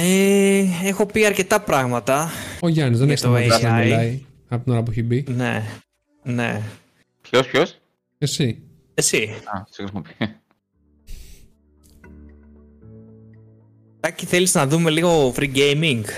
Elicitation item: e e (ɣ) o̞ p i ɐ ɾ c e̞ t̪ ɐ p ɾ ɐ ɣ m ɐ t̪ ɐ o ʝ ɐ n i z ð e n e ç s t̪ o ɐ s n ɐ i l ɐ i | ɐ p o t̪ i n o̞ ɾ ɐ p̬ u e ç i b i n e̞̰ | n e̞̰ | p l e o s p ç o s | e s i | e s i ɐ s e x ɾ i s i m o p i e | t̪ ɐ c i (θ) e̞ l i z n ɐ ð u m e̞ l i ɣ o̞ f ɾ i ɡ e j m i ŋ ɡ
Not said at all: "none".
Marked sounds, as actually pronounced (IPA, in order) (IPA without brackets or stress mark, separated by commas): x, θ